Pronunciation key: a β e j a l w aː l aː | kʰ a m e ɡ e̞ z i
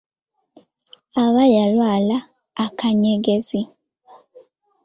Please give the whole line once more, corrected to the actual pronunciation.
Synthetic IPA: a β a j a l w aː l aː | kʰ a ɲ e ɡ e̞ z i